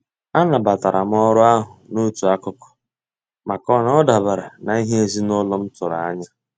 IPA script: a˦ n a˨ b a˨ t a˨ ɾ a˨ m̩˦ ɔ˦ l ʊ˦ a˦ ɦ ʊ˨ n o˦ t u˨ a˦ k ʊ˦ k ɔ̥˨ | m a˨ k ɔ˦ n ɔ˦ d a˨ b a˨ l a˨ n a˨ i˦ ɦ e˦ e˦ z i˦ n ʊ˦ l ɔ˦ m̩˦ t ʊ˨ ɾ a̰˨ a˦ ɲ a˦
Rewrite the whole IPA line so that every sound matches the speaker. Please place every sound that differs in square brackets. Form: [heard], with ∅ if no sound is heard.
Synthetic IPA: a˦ n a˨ b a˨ t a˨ ɾ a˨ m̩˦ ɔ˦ [ɾ] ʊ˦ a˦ ɦ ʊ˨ n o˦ t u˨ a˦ k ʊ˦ k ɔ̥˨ | m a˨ k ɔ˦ n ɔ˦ d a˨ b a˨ [ɾ] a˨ n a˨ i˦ ɦ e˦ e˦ z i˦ n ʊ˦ l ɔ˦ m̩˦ t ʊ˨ ɾ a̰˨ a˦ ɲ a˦